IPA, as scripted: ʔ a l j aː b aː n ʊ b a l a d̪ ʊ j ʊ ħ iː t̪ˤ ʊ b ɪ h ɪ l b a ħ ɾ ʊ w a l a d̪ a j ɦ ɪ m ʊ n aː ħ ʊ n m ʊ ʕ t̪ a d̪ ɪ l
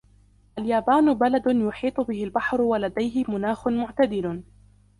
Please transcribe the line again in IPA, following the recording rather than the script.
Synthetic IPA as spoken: ʔ a l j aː b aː n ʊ b a l a d̪ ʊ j ʊ ħ iː t̪ˤ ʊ b ɪ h ɪ l b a ħ ɾ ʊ w a l a d̪ a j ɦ ɪ m ʊ n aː x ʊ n m ʊ ʕ t̪ a d̪ ɪ l